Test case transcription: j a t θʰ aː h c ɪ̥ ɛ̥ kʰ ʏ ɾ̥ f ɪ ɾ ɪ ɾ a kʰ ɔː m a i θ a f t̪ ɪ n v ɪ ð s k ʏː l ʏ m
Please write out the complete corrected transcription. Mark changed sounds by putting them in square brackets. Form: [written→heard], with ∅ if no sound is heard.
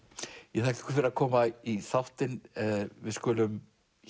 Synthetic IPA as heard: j [a→ɛ] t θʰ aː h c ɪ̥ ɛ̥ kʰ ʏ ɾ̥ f ɪ ɾ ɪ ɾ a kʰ ɔː m a i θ a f t̪ ɪ n v ɪ ð s k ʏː l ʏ m